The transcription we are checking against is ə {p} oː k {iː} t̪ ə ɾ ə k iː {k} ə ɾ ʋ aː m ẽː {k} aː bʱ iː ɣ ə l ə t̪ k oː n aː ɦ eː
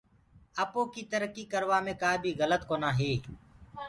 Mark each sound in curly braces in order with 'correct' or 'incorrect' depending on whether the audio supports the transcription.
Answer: correct, correct, correct, correct

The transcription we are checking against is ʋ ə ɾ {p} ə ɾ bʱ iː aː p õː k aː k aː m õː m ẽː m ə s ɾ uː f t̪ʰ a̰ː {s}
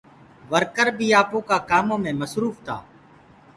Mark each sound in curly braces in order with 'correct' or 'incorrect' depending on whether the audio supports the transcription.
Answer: incorrect, incorrect

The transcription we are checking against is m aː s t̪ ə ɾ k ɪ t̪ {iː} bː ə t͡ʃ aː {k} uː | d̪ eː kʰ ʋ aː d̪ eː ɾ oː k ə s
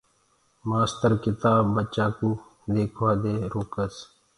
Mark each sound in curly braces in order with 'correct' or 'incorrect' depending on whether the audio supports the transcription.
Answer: incorrect, correct

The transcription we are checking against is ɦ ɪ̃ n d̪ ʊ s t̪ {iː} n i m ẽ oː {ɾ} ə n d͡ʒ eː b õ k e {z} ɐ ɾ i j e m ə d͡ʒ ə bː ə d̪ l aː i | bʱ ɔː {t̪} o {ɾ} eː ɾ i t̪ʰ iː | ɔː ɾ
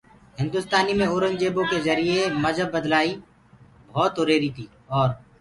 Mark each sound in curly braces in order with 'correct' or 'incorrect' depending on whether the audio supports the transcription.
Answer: incorrect, correct, correct, correct, correct

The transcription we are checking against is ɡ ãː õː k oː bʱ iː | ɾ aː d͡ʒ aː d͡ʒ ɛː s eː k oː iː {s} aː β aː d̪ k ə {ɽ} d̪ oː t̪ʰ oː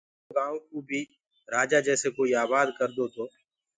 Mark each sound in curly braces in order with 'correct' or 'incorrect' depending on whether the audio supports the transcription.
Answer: incorrect, incorrect

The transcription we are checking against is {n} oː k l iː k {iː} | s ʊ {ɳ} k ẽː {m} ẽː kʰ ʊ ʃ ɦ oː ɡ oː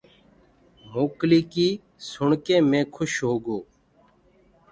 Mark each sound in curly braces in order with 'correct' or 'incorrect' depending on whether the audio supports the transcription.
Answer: incorrect, correct, correct, correct

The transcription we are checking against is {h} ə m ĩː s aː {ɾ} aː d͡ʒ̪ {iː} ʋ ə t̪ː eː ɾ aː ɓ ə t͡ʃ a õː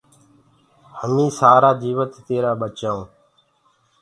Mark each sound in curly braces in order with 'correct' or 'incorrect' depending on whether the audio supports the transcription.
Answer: correct, correct, correct

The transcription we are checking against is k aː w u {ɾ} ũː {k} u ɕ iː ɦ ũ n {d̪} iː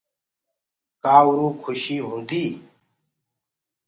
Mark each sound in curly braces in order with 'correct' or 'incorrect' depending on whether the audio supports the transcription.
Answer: correct, incorrect, correct

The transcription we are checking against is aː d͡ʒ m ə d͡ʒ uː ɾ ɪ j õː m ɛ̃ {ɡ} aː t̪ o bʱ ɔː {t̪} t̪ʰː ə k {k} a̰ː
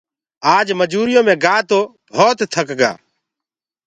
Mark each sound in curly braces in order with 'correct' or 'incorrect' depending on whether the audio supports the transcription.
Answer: correct, correct, incorrect

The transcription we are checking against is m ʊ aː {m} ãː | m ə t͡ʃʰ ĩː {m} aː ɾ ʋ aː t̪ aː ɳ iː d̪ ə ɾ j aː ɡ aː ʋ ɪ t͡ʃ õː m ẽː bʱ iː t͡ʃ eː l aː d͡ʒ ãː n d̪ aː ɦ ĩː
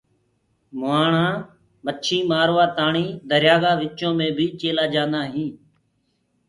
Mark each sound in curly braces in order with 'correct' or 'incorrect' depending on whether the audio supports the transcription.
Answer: incorrect, correct

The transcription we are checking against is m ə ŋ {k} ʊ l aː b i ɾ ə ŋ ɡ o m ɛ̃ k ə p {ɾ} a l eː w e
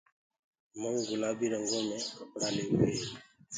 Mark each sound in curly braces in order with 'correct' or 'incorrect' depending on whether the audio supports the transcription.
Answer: incorrect, incorrect

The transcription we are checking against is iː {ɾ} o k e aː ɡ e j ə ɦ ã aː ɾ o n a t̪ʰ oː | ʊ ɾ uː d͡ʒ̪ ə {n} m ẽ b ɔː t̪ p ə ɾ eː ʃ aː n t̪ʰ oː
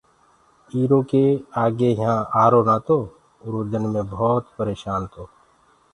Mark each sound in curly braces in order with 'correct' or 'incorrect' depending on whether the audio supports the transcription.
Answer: correct, correct

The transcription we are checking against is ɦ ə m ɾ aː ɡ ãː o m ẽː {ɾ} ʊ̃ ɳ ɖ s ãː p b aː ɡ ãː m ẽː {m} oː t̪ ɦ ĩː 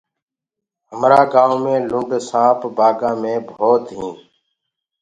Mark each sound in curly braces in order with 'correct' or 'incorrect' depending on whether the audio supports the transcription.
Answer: incorrect, incorrect

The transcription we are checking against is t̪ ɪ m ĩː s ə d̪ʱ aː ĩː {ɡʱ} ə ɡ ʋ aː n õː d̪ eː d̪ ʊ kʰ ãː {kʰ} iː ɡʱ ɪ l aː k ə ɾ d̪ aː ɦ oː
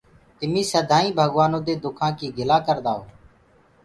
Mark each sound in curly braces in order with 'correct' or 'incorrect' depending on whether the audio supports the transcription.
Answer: incorrect, incorrect

